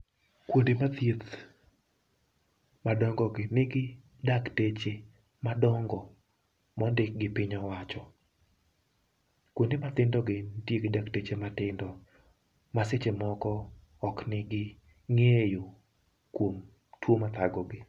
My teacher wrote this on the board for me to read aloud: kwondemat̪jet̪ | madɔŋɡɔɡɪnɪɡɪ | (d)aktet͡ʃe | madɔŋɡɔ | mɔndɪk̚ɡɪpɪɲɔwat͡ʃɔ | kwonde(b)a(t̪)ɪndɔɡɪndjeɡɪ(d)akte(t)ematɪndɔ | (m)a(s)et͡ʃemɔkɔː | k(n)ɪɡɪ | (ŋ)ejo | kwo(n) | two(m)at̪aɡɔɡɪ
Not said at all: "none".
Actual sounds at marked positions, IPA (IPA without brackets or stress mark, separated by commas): d, m, t̪, d, t͡ʃ, m, s, n, ŋ, m, m